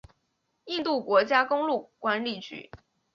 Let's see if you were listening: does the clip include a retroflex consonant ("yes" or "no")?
no